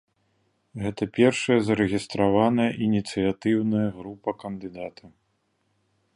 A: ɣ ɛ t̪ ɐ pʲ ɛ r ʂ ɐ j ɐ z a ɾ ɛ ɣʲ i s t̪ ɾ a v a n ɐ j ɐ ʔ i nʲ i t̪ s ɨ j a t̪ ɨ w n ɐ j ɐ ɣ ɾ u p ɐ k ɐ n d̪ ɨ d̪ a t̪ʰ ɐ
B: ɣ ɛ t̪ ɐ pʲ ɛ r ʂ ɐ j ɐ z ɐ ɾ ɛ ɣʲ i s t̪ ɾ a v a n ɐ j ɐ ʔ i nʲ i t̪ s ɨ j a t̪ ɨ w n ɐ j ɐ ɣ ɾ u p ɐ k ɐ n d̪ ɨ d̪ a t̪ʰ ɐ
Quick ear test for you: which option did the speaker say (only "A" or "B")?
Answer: B